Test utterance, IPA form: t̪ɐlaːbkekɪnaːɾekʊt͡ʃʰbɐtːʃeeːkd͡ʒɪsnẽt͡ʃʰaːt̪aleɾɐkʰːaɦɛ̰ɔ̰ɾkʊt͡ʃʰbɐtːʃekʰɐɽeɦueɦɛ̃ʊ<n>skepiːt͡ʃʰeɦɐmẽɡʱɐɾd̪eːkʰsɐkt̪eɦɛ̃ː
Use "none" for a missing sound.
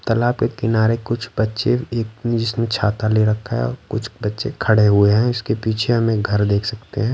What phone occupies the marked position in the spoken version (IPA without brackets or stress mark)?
none